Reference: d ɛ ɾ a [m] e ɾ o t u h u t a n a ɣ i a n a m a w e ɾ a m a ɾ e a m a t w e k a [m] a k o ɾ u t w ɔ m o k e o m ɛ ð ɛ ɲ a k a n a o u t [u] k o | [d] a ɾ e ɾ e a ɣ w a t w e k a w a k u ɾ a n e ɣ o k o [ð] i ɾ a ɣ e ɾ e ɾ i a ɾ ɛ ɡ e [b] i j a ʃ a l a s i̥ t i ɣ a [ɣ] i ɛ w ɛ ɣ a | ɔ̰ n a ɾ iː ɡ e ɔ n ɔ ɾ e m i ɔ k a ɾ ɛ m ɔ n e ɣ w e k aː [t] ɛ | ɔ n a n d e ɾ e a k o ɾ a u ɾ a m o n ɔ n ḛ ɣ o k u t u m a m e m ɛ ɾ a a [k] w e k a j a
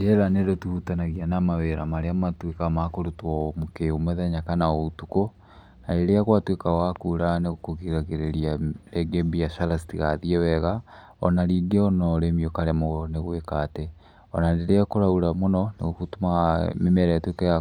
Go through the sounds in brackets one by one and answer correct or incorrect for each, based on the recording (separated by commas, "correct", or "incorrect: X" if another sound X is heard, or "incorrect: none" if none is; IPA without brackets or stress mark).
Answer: incorrect: n, correct, correct, incorrect: n, incorrect: ɣ, correct, incorrect: ð, correct, incorrect: t